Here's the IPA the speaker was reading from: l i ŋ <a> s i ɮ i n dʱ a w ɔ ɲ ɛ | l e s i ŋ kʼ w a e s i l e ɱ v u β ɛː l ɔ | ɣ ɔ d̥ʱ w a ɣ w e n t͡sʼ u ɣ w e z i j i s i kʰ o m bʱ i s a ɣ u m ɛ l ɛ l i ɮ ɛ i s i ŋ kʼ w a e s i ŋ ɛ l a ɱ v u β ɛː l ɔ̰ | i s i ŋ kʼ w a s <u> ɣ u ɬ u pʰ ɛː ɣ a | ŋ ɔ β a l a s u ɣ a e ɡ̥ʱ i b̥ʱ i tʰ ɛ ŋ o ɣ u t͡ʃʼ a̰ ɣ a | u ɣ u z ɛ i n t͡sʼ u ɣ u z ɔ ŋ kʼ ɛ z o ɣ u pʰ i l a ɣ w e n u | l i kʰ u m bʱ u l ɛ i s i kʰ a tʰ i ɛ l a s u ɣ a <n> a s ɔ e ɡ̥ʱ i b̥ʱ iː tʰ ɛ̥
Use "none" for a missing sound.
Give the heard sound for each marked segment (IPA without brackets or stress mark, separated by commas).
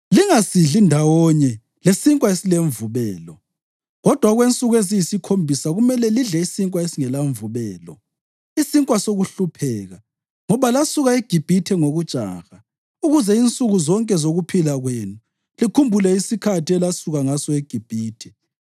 a, o, ŋ